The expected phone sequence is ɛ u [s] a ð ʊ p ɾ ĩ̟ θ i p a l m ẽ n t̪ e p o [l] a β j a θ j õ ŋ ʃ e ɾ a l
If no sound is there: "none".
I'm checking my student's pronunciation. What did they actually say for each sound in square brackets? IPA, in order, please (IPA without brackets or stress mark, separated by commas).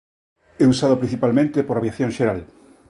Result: s, ɾ